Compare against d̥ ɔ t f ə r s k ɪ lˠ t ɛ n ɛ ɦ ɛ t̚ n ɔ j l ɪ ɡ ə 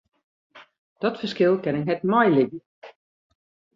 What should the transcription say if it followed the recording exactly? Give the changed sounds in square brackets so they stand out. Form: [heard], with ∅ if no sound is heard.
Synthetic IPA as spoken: d̥ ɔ t f ə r s k ɪ lˠ [k] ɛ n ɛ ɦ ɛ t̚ [m] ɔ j l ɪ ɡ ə